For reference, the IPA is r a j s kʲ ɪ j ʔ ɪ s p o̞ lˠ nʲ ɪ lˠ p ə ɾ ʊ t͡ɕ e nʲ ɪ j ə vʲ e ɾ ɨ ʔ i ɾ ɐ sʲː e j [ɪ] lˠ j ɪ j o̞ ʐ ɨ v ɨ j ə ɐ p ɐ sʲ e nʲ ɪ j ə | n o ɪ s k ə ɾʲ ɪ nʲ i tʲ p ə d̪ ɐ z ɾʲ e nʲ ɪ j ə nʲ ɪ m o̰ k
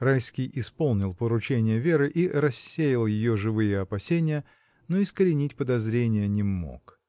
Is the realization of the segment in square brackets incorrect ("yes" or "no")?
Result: no